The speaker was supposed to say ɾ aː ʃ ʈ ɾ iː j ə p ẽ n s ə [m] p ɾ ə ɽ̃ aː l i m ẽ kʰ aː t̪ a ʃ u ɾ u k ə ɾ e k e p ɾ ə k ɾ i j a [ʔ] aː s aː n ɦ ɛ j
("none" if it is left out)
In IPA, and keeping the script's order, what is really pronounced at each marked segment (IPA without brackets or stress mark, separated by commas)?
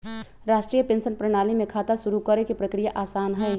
n, ʔ